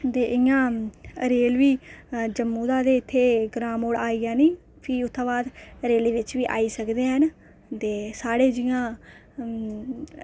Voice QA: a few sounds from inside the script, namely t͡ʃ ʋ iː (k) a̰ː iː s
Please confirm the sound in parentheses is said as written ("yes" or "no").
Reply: no